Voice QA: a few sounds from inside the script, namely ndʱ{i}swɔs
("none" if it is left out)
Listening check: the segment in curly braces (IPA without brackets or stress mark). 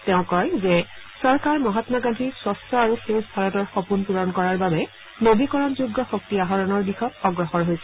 i